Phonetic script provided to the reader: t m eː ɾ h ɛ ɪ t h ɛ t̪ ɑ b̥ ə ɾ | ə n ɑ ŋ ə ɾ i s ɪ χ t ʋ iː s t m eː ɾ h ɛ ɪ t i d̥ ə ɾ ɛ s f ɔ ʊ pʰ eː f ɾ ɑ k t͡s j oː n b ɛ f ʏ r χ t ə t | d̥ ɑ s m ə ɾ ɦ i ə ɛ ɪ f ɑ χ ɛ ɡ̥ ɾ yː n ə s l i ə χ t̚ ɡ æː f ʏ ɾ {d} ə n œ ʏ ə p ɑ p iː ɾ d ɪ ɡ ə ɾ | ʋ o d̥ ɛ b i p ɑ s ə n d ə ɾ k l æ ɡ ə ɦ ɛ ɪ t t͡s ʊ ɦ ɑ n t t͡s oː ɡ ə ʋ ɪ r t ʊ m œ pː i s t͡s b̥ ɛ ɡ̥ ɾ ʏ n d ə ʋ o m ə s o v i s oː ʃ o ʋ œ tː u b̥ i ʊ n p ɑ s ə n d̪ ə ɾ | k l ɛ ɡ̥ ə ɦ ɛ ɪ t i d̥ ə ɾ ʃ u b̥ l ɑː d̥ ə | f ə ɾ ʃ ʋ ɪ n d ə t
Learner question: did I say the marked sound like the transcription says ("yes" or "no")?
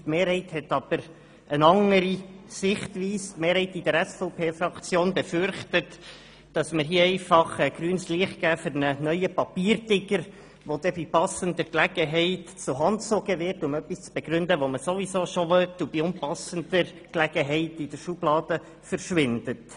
no